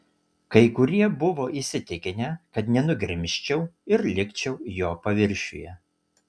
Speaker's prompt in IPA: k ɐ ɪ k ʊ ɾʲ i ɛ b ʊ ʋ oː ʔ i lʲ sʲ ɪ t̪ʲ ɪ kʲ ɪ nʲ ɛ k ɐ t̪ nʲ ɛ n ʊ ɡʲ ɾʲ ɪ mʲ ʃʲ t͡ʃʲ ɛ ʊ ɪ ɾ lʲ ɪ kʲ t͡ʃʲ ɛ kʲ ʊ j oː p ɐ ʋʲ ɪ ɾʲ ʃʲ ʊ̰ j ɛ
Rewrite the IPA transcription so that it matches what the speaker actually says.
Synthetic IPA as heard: k ɐ ɪ k ʊ ɾʲ i ɛ b ʊ ʋ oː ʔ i sʲ ɪ t̪ʲ ɪ kʲ ɪ nʲ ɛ k ɐ t̪ nʲ ɛ n ʊ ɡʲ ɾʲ ɪ mʲ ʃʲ t͡ʃʲ ɛ ʊ ɪ ɾ lʲ ɪ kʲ t͡ʃʲ ɛ ʊ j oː p ɐ ʋʲ ɪ ɾʲ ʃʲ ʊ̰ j ɛ

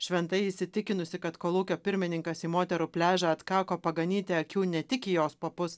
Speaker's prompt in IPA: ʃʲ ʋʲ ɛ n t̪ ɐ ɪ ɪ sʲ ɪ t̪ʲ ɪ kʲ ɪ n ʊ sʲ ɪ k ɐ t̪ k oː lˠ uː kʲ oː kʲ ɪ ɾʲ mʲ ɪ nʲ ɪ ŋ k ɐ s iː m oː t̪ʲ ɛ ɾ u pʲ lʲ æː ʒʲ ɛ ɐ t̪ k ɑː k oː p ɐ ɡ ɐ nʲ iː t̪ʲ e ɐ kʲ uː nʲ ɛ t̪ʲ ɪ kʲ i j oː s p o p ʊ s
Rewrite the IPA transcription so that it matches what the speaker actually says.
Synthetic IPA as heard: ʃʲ ʋʲ ɛ n t̪ ɐ ɪ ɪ sʲ ɪ t̪ʲ ɪ kʲ ɪ n ʊ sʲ ɪ k ɐ t̪ k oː lˠ uː kʲ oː pʲ ɪ ɾʲ mʲ ɪ nʲ ɪ ŋ k ɐ s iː m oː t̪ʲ ɛ ɾ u pʲ lʲ æː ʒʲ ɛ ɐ t̪ k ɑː k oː p ɐ ɡ ɐ nʲ iː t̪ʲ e ɐ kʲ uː nʲ ɛ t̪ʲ ɪ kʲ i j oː s p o p ʊ s

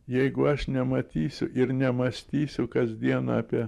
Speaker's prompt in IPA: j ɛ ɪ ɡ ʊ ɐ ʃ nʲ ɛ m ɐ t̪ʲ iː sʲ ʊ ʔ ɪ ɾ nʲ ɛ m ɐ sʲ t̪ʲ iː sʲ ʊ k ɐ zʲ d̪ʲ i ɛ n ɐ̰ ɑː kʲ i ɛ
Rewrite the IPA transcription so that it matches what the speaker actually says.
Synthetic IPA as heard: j ɛ ɪ ɡ ʊ ɐ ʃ nʲ ɛ m ɐ t̪ʲ iː sʲ ʊ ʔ ɪ ɾ nʲ ɛ m ɐ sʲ t̪ʲ iː sʲ ʊ k ɐ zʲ d̪ʲ i ɛ n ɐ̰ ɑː pʲ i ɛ

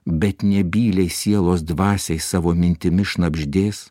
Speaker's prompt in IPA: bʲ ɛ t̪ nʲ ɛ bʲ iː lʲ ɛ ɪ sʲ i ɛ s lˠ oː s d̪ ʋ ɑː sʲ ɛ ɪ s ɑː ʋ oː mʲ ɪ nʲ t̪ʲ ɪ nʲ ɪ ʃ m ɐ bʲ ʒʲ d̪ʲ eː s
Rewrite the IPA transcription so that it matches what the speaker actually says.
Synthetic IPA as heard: bʲ ɛ t̪ nʲ ɛ bʲ iː lʲ ɛ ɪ sʲ i ɛ lˠ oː s d̪ ʋ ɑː sʲ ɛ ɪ s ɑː ʋ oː mʲ ɪ nʲ t̪ʲ ɪ mʲ ɪ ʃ n ɐ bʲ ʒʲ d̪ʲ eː s

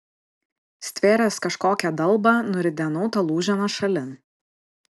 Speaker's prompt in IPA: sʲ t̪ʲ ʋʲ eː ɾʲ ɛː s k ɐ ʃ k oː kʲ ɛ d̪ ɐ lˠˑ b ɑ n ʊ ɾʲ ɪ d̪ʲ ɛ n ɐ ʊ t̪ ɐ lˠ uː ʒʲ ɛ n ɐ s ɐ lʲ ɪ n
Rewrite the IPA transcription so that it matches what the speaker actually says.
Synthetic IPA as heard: sʲ t̪ʲ ʋʲ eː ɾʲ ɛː s k ɐ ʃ k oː kʲ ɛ d̪ ɐ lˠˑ b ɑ n ʊ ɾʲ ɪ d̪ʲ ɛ n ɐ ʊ t̪ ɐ lˠ uː ʒʲ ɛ n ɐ ʃ ɐ lʲ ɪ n

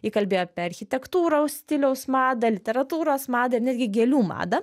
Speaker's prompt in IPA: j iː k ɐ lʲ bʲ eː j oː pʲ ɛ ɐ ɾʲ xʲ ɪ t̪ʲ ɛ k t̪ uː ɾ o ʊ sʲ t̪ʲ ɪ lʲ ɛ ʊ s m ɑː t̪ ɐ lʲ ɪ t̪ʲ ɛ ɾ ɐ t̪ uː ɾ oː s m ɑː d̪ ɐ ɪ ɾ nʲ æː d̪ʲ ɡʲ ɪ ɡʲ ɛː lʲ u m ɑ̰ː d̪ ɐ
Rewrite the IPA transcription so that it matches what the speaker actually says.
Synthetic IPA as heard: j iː k ɐ lʲ bʲ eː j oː pʲ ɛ ɐ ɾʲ xʲ ɪ t̪ʲ ɛ k t̪ uː ɾ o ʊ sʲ t̪ʲ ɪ lʲ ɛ ʊ s m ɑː d̪ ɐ lʲ ɪ t̪ʲ ɛ ɾ ɐ t̪ uː ɾ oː s m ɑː d̪ ɐ ɪ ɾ nʲ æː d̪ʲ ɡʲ ɪ ɡʲ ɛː lʲ uː m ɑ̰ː d̪ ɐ

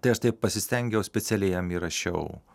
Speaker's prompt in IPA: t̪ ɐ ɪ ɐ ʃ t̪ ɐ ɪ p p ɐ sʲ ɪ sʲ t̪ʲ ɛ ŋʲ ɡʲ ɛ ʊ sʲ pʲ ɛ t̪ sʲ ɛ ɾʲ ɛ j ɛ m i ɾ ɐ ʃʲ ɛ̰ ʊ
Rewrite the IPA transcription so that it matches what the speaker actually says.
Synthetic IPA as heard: t̪ ɐ ɪ ɐ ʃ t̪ ɐ ɪ p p ɐ sʲ ɪ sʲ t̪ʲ ɛ ŋʲ ɡʲ ɛ ʊ sʲ pʲ ɛ t̪ sʲ ɛ lʲ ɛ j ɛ m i ɾ ɐ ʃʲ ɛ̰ ʊ

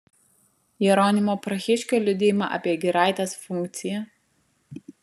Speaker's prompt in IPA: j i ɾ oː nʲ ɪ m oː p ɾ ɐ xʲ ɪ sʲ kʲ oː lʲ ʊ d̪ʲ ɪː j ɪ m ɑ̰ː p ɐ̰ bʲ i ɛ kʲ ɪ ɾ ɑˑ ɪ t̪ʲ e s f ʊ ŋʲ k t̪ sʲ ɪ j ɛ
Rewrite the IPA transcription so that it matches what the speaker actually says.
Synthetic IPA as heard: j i ɾ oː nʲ ɪ m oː p ɾ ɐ xʲ ɪ ʃʲ kʲ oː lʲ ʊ d̪ʲ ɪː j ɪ m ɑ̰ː ʔ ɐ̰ pʲ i ɛ ɡʲ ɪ ɾ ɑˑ ɪ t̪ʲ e s f ʊ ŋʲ k t̪ sʲ ɪ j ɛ

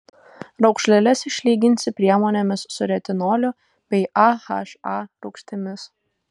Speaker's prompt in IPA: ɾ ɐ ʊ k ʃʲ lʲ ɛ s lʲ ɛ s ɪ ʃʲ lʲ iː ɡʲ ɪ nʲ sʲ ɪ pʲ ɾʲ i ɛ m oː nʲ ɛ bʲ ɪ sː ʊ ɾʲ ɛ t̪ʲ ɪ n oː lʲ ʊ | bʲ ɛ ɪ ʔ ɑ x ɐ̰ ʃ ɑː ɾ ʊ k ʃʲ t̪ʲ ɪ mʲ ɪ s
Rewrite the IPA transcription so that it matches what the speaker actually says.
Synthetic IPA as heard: ɾ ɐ ʊ k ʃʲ lʲ ɛ lʲ ɛ s ɪ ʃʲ lʲ iː ɡʲ ɪ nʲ sʲ ɪ pʲ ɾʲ i ɛ m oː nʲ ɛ mʲ ɪ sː ʊ ɾʲ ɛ t̪ʲ ɪ n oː lʲ ʊ | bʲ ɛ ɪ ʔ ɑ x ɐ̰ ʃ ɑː ɾ ʊ k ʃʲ t̪ʲ ɪ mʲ ɪ s

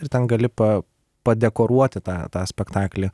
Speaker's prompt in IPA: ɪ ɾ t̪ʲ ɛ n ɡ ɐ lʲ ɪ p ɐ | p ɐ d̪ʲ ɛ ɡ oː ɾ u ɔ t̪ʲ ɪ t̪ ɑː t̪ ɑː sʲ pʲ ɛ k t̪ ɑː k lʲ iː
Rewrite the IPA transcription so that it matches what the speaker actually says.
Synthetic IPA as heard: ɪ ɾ t̪ʲ ɛ n ɡ ɐ lʲ ɪ p ɐ | p ɐ d̪ʲ ɛ k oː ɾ u ɔ t̪ʲ ɪ t̪ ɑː t̪ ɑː sʲ pʲ ɛ k t̪ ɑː k lʲ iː

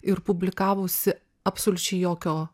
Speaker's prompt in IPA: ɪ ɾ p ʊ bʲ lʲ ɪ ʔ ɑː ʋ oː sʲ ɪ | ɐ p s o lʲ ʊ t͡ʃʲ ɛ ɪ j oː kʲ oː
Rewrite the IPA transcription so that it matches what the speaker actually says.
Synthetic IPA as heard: ɪ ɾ p ʊ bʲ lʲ ɪ k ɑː ʋ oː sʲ ɪ | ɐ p s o lʲ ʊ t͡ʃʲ ɛ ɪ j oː kʲ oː

